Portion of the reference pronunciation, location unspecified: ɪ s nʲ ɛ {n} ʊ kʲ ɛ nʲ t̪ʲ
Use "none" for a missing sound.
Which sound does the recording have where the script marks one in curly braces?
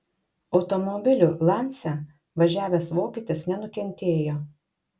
n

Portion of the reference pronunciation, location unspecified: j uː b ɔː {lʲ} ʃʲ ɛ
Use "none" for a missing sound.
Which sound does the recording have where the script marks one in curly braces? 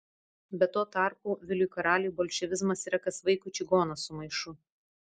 lʲ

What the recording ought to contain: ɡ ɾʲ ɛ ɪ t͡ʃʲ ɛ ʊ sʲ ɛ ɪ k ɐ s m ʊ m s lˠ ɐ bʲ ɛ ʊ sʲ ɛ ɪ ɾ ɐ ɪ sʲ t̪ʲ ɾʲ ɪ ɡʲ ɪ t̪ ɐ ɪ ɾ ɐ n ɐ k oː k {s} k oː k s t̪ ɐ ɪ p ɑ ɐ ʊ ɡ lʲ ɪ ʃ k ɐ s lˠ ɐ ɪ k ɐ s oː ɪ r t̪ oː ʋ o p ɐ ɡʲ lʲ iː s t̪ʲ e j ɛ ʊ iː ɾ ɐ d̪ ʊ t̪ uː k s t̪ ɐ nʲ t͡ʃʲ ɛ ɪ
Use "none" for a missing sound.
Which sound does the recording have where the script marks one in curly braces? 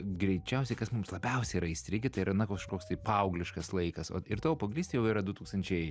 ʃ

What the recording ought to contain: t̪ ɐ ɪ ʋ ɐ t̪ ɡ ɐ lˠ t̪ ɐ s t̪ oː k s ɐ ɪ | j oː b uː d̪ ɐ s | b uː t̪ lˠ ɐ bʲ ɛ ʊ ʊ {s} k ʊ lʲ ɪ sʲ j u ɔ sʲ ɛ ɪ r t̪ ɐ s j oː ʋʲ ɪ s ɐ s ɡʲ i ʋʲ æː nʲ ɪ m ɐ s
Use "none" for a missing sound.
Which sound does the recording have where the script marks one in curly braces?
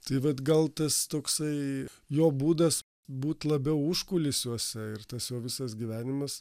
ʃ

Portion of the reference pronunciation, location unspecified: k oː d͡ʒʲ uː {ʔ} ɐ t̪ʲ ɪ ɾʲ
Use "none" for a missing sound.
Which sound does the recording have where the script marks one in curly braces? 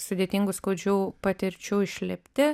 p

